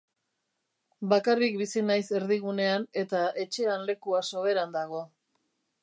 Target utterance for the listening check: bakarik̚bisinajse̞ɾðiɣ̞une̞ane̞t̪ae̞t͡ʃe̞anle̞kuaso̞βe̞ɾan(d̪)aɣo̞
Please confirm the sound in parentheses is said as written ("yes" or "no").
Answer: yes